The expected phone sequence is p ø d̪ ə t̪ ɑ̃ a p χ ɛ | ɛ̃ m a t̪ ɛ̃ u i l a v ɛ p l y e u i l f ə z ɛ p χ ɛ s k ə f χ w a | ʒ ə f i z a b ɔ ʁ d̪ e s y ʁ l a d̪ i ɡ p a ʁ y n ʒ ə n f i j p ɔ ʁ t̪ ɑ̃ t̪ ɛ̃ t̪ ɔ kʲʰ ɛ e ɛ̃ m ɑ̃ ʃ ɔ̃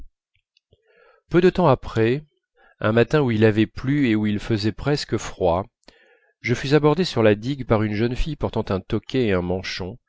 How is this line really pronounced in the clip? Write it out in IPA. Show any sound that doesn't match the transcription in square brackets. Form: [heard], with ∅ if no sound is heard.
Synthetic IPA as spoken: p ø d̪ ə t̪ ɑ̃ a p χ ɛ | ɛ̃ m a t̪ ɛ̃ u i l a v ɛ p l y e u i l f ə z ɛ p χ ɛ s k ə f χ w a | ʒ ə f [y] z a b ɔ ʁ d̪ e s y ʁ l a d̪ i ɡ p a ʁ y n ʒ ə n f i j p ɔ ʁ t̪ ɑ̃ t̪ ɛ̃ t̪ ɔ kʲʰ ɛ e ɛ̃ m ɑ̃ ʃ ɔ̃